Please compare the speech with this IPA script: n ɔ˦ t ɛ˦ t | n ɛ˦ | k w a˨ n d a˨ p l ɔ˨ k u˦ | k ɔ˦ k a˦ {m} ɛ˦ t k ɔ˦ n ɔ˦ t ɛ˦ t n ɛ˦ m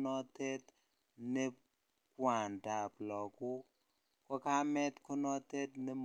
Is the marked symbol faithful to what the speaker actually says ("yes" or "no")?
yes